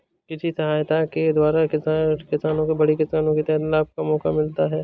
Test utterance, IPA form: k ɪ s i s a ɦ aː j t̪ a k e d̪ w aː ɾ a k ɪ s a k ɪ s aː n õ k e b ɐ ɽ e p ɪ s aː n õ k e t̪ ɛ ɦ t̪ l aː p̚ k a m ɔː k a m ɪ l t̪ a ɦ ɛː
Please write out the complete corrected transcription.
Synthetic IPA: k ɪ s i s ɐ ɦ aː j t̪ a k e d̪ w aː ɾ a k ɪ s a k ɪ s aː n õ k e b ɐ ɽ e k ɪ s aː n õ k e t̪ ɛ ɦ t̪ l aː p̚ k a m ɔː k a m ɪ l t̪ a ɦ ɛː